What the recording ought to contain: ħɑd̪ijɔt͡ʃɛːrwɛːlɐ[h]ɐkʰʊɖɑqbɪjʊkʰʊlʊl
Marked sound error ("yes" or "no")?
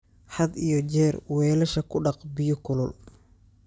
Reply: yes